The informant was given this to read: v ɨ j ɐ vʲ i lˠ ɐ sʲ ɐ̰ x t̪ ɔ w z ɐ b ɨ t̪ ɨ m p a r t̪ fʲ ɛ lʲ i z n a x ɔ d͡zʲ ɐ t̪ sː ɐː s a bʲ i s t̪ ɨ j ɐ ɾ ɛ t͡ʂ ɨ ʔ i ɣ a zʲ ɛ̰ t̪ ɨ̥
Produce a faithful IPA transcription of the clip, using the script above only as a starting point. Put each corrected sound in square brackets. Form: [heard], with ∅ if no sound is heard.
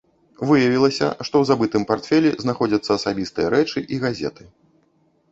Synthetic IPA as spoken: v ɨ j ɐ vʲ i lˠ ɐ sʲ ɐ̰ [ʂ] t̪ ɔ w z [a] b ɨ t̪ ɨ m p a r t̪ fʲ ɛ lʲ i z n a x ɔ d͡zʲ ɐ t̪ sː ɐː s a bʲ i s t̪ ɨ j ɐ ɾ ɛ t͡ʂ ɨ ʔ i ɣ a zʲ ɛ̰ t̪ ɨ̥